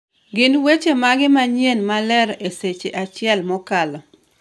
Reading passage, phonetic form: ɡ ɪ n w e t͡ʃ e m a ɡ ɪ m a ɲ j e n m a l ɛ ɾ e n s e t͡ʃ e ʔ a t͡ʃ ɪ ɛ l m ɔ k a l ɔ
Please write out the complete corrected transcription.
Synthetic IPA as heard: ɡ ɪ n w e t͡ʃ e m a ɡ ɪ m a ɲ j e n m a l ɛ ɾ e s e t͡ʃ e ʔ a t͡ʃ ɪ ɛ l m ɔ k a l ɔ